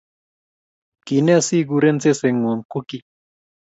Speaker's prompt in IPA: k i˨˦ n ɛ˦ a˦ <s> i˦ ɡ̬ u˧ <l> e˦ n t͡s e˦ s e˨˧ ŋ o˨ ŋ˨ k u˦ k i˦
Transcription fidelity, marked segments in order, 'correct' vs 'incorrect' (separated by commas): correct, incorrect